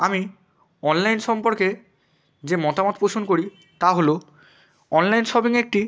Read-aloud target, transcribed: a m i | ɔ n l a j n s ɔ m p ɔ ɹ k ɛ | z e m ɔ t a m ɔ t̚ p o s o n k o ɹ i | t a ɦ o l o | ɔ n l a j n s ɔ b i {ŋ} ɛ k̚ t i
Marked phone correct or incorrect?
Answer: correct